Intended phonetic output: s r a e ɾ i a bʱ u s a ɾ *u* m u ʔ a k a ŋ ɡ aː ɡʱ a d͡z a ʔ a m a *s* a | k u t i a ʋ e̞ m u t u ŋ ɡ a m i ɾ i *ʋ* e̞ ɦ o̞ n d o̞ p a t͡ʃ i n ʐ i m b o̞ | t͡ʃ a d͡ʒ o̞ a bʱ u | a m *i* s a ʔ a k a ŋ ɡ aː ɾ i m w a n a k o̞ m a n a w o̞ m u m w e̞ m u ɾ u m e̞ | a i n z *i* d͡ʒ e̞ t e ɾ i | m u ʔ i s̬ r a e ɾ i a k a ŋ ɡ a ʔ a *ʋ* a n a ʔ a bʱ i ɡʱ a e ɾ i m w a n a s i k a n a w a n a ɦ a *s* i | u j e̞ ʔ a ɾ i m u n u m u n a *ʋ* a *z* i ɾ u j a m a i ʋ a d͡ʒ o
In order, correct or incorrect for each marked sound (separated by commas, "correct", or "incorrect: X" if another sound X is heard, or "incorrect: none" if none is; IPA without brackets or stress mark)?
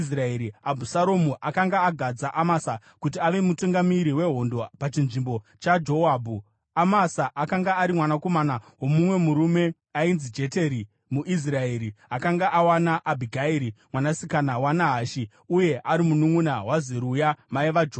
incorrect: o, correct, incorrect: w, incorrect: a, correct, incorrect: w, incorrect: ʃ, incorrect: w, correct